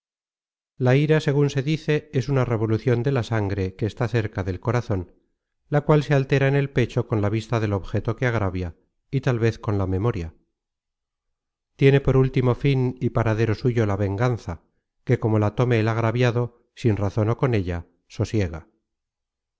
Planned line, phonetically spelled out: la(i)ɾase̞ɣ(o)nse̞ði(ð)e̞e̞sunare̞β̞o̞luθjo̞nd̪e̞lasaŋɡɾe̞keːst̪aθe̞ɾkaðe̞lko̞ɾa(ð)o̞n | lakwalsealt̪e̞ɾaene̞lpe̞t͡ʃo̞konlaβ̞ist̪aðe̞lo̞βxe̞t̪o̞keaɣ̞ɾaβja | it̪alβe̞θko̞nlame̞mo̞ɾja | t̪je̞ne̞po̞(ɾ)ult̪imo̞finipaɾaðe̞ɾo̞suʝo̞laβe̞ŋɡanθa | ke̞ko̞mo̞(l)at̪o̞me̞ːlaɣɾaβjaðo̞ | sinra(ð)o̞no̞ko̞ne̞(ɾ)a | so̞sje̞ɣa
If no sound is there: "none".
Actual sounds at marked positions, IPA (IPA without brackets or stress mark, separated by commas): i, u, θ, θ, ɾ, l, θ, ʎ